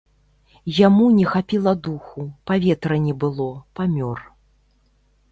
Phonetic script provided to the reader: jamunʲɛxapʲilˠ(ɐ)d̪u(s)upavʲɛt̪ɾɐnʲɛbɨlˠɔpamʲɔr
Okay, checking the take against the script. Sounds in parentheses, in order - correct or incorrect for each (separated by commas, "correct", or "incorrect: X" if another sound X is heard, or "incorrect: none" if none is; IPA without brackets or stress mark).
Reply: correct, incorrect: x